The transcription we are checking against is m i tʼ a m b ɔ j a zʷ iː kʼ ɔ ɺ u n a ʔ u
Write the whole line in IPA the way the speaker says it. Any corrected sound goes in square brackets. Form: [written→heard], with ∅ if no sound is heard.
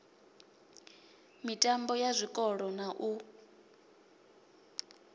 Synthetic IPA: m i tʼ a m b ɔ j a zʷ [iː→i] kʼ ɔ ɺ [u→ɔ] n a ʔ u